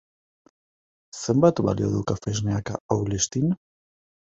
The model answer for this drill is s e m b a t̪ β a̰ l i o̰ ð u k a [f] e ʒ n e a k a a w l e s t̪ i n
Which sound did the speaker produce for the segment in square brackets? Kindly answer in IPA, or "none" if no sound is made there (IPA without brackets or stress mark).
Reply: f